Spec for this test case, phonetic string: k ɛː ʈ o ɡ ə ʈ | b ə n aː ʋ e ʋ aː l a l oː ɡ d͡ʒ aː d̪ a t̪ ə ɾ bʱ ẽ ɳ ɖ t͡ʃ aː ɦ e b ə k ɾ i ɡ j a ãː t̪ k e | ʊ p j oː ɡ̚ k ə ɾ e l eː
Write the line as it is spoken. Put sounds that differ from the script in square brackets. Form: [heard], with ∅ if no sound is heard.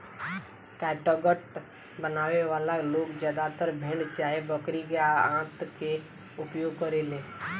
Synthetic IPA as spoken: k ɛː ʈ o ɡ ə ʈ | b ə n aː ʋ e ʋ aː l a l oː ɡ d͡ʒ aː d̪ a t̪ ə ɾ bʱ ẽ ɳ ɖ t͡ʃ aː ɦ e b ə k ɾ i ɡ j a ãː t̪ k e | ʊ p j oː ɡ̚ k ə ɾ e l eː